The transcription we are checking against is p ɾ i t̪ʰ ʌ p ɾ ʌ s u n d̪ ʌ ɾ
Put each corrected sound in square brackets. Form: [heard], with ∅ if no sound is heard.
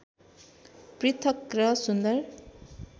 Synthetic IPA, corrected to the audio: p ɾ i t̪ʰ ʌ [k] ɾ ʌ s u n d̪ ʌ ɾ